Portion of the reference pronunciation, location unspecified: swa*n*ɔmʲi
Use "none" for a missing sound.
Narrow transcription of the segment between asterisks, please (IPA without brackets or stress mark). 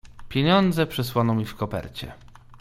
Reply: n